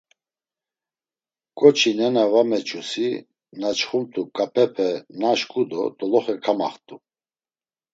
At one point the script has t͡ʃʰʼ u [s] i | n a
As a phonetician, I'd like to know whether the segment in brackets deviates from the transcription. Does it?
no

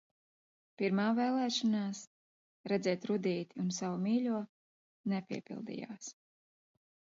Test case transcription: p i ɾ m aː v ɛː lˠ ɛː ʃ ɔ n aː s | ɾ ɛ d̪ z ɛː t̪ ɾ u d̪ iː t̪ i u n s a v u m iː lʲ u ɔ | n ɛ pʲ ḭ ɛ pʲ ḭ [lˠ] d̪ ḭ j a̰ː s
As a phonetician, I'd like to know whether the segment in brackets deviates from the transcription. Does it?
no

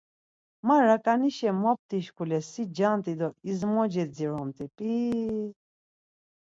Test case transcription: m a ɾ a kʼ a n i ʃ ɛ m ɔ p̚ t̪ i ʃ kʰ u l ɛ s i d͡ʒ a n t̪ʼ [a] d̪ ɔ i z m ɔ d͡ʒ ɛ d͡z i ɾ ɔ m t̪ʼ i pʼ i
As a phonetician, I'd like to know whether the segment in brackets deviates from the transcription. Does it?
yes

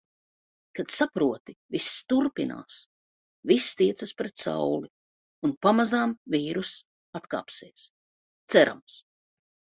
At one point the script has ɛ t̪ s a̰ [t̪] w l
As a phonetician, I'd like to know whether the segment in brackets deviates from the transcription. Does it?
yes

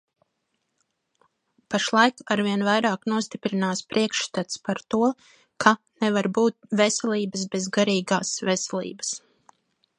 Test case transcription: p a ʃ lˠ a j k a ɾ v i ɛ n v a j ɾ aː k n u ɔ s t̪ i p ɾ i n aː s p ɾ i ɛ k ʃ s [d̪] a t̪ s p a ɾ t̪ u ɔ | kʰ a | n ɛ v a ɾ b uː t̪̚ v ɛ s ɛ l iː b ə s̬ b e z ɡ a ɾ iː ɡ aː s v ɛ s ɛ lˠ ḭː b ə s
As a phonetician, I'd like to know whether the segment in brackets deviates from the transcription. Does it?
yes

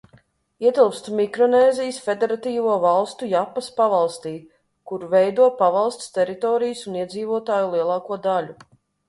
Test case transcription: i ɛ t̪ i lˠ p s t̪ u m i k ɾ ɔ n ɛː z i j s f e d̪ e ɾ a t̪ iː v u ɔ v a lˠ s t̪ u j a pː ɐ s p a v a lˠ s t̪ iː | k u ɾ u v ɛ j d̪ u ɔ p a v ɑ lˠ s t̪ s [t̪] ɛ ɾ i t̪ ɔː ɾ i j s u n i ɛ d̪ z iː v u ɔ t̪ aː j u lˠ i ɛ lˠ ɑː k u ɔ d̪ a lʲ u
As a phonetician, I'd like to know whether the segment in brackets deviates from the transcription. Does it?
no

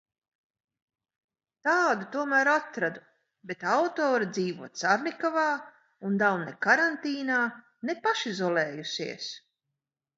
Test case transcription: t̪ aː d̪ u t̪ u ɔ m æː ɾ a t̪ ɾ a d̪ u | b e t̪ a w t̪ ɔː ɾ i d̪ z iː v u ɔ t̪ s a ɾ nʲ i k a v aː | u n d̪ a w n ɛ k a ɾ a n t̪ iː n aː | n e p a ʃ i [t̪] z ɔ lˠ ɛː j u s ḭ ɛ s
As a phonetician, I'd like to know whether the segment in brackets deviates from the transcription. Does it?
yes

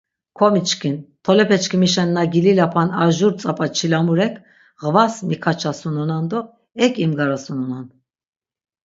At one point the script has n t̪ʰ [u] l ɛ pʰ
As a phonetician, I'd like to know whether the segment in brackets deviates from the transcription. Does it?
yes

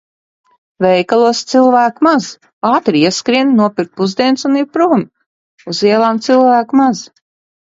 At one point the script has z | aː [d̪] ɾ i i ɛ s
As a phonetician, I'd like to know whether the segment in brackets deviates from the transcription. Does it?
yes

